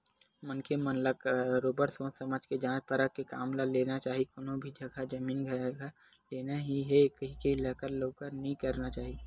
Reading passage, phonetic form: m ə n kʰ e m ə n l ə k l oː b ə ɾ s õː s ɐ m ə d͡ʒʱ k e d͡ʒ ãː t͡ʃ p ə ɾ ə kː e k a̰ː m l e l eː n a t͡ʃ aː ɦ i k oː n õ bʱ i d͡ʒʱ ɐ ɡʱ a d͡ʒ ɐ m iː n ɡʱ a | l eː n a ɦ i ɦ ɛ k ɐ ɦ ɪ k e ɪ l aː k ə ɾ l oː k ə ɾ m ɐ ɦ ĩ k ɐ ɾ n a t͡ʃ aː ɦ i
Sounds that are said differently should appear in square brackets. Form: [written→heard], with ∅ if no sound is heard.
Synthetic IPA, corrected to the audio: m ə n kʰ e m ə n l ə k [l→ɾ] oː b ə ɾ s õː s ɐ m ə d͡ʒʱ k e d͡ʒ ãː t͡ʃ p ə ɾ ə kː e k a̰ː m l [e→a] l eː n a t͡ʃ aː ɦ i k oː n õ bʱ i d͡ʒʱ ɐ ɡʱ a d͡ʒ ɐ m iː n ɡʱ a | l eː n a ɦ i ɦ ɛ k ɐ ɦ [ɪ→i] k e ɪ l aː k ə ɾ l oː k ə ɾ [m→n] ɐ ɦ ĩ k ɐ ɾ n a t͡ʃ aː ɦ i